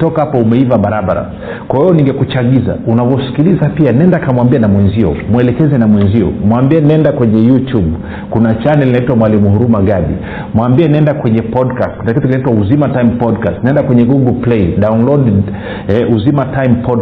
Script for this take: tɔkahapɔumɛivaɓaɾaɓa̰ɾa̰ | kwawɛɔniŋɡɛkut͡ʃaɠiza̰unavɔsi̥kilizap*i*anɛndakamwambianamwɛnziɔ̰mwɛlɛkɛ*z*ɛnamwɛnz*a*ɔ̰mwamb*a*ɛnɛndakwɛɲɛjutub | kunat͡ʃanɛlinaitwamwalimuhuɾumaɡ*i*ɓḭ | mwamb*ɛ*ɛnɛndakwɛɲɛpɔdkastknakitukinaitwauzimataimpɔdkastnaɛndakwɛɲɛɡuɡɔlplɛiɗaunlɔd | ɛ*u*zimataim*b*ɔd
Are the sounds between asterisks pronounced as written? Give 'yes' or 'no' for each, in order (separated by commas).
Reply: yes, yes, no, no, no, no, yes, no